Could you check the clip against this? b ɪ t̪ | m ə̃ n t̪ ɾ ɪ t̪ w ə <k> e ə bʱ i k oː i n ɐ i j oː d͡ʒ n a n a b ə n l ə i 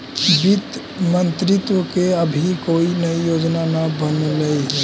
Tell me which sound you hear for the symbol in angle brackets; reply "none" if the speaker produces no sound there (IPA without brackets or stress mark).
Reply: k